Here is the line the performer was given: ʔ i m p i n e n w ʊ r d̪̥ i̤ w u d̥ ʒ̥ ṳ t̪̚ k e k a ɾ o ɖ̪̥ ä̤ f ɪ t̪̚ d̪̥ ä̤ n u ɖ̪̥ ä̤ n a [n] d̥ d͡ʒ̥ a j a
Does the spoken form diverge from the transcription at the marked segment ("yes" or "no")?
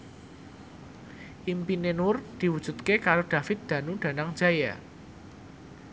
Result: yes